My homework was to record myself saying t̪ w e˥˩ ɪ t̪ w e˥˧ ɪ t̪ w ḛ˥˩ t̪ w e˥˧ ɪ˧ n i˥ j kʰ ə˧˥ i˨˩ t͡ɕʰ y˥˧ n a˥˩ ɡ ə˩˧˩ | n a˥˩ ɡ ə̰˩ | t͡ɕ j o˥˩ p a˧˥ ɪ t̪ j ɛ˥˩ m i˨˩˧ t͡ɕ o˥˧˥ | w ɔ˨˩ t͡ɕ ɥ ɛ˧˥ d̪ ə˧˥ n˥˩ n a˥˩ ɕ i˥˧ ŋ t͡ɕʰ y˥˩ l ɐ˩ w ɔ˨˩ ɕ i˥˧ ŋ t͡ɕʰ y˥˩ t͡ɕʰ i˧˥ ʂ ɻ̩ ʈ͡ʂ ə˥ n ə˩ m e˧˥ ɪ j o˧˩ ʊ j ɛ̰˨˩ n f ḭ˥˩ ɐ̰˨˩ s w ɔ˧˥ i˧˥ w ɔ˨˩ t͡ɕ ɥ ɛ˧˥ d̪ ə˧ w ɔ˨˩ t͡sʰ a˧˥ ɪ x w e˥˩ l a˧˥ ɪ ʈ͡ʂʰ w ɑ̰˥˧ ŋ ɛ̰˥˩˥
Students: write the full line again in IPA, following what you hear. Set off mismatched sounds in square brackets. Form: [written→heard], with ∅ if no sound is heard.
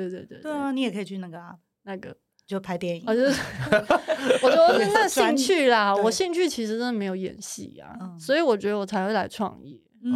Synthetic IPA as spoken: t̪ w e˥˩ ɪ t̪ w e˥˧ ɪ t̪ w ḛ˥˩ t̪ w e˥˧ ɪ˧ n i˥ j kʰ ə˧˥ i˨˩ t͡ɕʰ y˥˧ n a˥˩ ɡ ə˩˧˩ | n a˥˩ ɡ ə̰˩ | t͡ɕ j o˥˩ [p→pʰ] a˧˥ ɪ t̪ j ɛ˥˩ [m→n] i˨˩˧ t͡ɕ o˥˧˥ | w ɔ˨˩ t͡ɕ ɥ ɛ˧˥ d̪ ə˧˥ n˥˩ n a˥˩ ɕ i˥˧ ŋ t͡ɕʰ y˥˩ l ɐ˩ w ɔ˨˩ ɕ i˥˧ ŋ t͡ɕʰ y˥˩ t͡ɕʰ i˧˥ ʂ ɻ̩ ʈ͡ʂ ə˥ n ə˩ m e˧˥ ɪ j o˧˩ ʊ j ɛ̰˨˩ n [f→ɕ] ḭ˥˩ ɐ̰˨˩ s w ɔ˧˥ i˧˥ w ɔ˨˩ t͡ɕ ɥ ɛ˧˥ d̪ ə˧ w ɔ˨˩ t͡sʰ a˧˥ ɪ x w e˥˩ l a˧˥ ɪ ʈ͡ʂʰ w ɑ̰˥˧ ŋ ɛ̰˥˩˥